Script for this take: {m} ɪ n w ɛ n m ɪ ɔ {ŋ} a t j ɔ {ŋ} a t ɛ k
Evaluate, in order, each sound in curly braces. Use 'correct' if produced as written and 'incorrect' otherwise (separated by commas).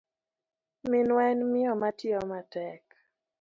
correct, incorrect, incorrect